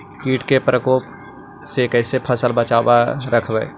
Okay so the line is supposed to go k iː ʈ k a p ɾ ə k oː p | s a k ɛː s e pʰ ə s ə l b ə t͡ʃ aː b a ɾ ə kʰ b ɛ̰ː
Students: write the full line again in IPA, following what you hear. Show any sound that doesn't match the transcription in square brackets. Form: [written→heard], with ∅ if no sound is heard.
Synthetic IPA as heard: k iː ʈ k [a→e] p ɾ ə k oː p | s [a→e] k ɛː s e pʰ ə s ə l b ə t͡ʃ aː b a ɾ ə kʰ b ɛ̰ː

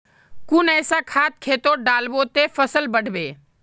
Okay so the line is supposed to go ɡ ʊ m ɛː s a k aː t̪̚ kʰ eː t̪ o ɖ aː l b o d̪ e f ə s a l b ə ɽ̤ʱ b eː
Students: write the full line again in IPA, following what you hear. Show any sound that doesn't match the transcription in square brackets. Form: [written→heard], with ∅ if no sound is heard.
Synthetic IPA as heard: [ɡ→k] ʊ [m→n] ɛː s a [k→kʰ] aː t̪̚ kʰ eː t̪ o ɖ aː l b o [d̪→t̪] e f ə s [a→ə] l b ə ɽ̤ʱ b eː

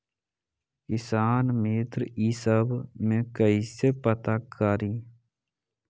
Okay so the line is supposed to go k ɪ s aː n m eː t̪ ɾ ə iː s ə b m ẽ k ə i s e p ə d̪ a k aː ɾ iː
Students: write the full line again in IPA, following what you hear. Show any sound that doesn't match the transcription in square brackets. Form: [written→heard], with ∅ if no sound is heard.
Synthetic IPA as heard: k ɪ s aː n m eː t̪ ɾ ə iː s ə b m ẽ k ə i s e p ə [d̪→t̪] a k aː ɾ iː

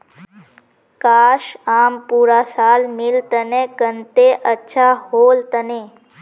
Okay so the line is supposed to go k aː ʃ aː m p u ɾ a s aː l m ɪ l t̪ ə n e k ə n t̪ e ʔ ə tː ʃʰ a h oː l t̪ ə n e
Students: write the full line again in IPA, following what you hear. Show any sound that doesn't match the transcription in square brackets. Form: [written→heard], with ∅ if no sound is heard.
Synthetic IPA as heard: k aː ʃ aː m p u ɾ a s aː l m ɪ l t̪ ə n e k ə n t̪ e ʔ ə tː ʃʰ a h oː l t̪ ə n e

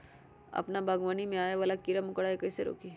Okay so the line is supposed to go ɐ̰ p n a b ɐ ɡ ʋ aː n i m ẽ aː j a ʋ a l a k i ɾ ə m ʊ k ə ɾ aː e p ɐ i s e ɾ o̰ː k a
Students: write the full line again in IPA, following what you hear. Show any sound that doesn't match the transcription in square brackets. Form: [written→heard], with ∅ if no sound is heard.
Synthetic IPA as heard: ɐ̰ p n a b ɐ ɡ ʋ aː n i m ẽ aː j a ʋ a l a k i ɾ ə m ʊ k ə [ɾ→ɽ] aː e [p→k] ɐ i s e ɾ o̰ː k [a→i]

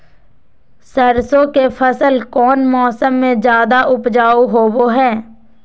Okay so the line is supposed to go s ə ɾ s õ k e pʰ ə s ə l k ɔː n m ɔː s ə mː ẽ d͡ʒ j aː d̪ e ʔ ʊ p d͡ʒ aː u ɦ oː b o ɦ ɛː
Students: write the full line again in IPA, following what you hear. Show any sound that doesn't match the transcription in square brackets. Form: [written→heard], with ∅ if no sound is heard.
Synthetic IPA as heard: s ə ɾ s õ k e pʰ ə s ə l k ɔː n m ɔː s ə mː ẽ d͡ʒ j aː d̪ [e→a] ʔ ʊ p d͡ʒ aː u ɦ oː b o ɦ ɛː

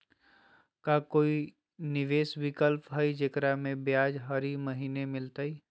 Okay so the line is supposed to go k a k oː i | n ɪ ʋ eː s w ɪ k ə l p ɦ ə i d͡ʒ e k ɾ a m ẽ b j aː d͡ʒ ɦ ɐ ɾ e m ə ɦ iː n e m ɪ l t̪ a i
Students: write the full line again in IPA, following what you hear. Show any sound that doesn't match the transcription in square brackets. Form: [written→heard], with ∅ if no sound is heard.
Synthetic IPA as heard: k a k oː i | n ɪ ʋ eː s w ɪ k ə l p ɦ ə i d͡ʒ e k ɾ a m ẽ b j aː d͡ʒ ɦ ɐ ɾ [e→i] m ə ɦ iː n e m ɪ l t̪ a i

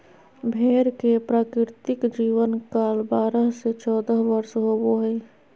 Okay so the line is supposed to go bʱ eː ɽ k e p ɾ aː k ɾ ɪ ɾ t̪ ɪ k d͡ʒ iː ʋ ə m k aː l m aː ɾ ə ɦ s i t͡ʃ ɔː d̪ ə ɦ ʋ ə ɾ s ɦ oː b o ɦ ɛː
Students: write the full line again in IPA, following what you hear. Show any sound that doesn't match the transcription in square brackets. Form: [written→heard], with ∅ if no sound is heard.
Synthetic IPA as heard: bʱ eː [ɽ→ɾ] k e p ɾ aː k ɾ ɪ ɾ t̪ ɪ k d͡ʒ iː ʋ ə [m→n] k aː l [m→b] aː ɾ ə ɦ s [i→e] t͡ʃ ɔː d̪ ə ɦ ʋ ə ɾ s ɦ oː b o ɦ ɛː

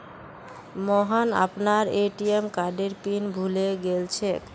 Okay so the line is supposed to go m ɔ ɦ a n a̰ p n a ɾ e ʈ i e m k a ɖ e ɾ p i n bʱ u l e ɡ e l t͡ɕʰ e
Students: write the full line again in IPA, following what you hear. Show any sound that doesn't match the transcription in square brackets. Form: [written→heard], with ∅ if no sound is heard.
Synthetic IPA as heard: m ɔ ɦ a n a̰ p n a ɾ e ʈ i e m k a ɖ e ɾ p i n bʱ u l e ɡ e l t͡ɕʰ e

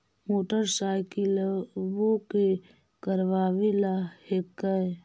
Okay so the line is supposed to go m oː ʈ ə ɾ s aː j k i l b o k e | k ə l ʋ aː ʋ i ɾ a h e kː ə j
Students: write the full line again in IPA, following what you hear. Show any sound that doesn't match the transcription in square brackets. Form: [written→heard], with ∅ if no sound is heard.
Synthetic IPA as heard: m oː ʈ ə ɾ s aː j k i l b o k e | k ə [l→ɾ] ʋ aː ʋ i [ɾ→l] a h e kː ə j

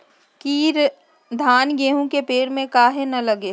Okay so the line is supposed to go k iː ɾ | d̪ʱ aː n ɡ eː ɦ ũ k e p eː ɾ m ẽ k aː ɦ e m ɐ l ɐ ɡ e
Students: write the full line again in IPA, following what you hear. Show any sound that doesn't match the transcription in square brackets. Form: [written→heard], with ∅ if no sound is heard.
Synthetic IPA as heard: k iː ɾ | d̪ʱ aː n ɡ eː ɦ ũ k e p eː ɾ m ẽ k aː ɦ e [m→n] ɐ l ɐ ɡ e

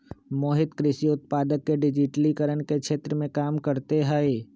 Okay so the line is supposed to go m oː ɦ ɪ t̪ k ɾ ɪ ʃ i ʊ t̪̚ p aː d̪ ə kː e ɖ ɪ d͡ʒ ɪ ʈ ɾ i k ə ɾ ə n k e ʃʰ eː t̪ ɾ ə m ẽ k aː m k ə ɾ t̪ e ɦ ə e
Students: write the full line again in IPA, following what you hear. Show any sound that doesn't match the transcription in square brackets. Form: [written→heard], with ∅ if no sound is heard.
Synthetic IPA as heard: m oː ɦ ɪ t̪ k ɾ ɪ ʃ i ʊ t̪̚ p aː d̪ ə kː e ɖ ɪ d͡ʒ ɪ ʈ [ɾ→l] i k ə ɾ ə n k e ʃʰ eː t̪ ɾ ə m ẽ k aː m k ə ɾ t̪ e ɦ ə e

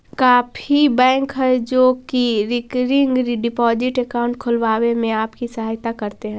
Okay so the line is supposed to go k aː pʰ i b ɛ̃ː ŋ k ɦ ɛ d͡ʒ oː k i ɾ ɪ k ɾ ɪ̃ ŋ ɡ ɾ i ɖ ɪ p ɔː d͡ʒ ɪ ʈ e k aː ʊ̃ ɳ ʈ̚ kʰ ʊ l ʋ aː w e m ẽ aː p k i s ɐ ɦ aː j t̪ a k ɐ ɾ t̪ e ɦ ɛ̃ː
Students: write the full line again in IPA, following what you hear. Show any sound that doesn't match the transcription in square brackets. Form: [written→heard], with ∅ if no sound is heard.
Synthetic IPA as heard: k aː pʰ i b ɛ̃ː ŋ k ɦ ɛ d͡ʒ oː k i ɾ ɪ k ɾ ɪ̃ ŋ ɡ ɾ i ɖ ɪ p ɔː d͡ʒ ɪ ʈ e k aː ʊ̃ ɳ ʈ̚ kʰ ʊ l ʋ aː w e m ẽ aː p k i s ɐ ɦ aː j t̪ a k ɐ ɾ t̪ e ɦ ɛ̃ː

